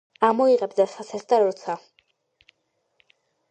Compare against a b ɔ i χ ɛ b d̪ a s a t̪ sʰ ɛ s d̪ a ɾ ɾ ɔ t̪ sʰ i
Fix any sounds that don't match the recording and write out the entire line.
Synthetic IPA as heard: a m ɔ i ʁ ɛ b d̪ a s a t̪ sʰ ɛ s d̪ a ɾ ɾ ɔ t̪ sʰ a